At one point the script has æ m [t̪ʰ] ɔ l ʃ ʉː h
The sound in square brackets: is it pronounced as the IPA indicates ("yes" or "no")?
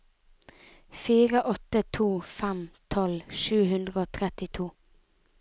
yes